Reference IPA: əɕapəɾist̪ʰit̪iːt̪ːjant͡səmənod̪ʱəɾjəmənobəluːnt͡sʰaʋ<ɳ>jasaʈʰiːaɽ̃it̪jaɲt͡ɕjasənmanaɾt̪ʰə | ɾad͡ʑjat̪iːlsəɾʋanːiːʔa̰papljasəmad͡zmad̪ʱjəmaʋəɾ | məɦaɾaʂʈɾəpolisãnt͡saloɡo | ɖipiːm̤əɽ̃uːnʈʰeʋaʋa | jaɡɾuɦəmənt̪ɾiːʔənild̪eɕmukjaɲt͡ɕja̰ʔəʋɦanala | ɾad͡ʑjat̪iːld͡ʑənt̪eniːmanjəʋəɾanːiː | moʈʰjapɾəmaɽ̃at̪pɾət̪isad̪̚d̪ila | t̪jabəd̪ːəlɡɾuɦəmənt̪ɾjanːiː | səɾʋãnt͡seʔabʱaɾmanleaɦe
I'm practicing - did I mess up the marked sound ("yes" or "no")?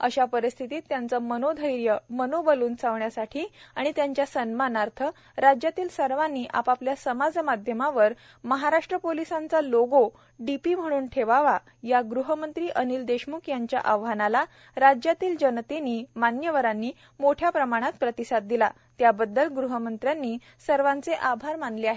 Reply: no